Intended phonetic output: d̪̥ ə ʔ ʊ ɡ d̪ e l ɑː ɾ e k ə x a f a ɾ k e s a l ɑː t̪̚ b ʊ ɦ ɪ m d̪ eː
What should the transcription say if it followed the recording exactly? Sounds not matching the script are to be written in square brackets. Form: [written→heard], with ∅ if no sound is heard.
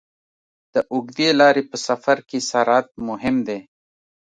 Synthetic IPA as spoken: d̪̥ ə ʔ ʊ ɡ d̪ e l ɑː ɾ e [k→p] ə [x→s] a f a ɾ k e s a [l→ɾ] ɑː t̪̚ [b→m] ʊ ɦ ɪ m d̪ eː